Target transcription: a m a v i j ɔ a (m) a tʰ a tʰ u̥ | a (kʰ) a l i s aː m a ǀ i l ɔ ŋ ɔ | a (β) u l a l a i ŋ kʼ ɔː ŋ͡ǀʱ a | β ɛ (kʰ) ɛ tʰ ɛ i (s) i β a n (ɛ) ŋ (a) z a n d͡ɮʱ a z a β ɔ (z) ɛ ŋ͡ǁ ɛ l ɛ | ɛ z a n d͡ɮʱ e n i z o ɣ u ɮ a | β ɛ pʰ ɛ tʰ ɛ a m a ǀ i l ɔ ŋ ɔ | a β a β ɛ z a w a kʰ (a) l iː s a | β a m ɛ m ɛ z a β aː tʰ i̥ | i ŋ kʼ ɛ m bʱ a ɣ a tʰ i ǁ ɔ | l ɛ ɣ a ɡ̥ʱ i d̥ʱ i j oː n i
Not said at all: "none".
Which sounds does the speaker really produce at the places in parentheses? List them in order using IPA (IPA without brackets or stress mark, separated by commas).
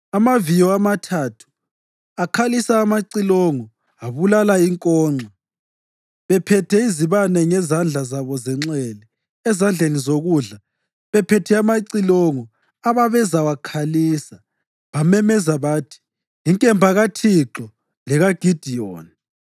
m, kʰ, β, pʰ, z, ɛ, ɛ, z, a